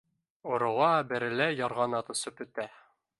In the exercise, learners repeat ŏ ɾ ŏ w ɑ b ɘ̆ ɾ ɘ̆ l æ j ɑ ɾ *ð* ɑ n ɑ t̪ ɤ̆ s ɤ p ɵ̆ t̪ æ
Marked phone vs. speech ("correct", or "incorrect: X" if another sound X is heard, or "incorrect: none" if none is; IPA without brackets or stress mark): incorrect: ʁ